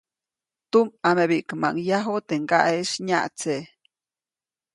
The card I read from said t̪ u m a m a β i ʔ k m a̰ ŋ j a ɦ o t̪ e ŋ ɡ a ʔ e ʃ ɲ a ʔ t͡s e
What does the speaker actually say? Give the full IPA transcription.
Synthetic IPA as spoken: t̪ u m a m e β i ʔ k m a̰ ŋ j a ɦ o t̪ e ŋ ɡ a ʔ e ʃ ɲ a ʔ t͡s e